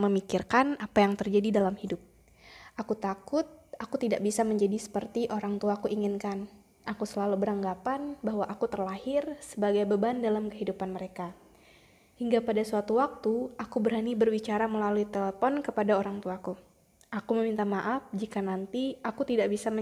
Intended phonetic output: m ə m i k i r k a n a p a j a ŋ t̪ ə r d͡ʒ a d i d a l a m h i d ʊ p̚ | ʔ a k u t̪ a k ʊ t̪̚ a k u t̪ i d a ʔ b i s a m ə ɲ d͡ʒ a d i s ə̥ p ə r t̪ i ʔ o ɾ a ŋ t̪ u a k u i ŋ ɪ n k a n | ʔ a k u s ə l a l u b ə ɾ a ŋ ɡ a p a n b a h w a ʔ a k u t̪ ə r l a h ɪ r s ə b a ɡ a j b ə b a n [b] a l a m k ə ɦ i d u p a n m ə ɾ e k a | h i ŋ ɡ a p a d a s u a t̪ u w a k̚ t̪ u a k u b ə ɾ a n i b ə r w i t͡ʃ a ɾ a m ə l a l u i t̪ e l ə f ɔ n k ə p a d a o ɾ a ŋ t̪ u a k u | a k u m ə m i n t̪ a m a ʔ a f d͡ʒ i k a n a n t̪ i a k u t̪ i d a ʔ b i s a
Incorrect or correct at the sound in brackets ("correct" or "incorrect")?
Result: incorrect